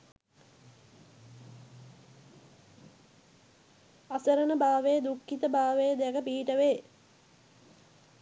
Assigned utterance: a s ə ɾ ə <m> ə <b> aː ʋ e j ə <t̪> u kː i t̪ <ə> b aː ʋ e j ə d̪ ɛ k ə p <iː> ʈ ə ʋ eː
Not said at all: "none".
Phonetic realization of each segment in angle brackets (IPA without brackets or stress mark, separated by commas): n, b, d̪, ə, iː